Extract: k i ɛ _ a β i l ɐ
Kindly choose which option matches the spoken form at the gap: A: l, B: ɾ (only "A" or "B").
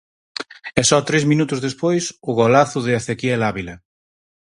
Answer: A